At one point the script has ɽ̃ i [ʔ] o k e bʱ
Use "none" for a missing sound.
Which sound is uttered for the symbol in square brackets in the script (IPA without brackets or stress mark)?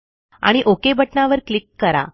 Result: ʔ